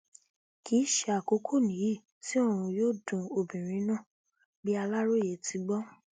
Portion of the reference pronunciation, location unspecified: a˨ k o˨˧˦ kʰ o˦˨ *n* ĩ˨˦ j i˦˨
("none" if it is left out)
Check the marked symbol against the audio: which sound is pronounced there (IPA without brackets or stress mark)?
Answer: n